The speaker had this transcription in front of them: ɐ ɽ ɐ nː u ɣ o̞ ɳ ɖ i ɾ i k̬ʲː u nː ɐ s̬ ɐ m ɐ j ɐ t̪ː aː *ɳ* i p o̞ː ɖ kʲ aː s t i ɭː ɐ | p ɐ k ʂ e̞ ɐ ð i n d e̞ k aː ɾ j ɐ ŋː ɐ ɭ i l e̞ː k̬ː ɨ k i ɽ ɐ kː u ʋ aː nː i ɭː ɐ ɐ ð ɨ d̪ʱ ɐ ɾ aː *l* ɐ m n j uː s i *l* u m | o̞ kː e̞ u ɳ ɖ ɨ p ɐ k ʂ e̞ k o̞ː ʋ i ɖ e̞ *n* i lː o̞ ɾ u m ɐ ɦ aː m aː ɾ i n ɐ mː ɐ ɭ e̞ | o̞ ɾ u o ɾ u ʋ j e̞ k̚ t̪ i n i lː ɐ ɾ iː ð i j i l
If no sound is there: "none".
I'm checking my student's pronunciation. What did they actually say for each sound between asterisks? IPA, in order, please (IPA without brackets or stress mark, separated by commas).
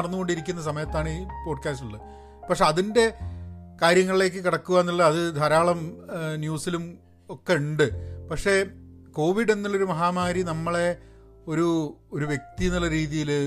ɳ, ɭ, l, nː